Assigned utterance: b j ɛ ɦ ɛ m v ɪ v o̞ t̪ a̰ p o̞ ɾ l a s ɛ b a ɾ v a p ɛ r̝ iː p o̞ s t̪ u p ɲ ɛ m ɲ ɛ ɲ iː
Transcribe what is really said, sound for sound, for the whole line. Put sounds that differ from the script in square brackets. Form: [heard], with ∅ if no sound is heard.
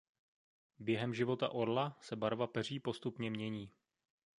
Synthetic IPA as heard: b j ɛ ɦ ɛ m [ʒ] ɪ v o̞ t̪ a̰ [ʔ] o̞ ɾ l a s ɛ b a ɾ v a p ɛ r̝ iː p o̞ s t̪ u p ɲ ɛ m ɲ ɛ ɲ iː